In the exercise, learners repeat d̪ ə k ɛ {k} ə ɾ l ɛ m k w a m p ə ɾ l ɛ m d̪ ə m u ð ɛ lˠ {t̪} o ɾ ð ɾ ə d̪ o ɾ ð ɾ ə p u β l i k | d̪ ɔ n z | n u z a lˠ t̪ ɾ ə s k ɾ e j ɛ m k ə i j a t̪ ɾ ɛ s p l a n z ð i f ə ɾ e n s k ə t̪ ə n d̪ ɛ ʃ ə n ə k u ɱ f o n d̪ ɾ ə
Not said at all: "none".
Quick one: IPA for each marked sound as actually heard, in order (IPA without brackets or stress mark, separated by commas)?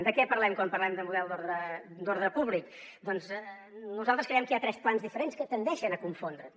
p, d̪